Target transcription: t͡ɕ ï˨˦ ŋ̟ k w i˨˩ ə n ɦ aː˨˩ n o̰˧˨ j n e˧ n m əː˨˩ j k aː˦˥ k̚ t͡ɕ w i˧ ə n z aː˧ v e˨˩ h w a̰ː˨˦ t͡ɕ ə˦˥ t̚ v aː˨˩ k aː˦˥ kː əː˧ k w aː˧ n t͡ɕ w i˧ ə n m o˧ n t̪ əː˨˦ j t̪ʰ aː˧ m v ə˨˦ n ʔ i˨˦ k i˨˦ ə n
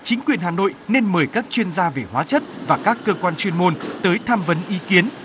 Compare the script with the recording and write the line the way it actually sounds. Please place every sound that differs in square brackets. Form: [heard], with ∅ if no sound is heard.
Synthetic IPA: t͡ɕ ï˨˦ ŋ̟ k w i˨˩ ə n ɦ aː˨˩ n o̰˧˨ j n e˧ n m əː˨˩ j k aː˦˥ k̚ t͡ɕ w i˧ ə n z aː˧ v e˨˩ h w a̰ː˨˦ t͡ɕ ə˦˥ t̚ v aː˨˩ k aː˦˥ kː əː˧ k w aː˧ n t͡ɕ w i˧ ə n m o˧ n t̪ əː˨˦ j t̪ʰ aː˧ m v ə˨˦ n ʔ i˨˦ k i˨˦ ə n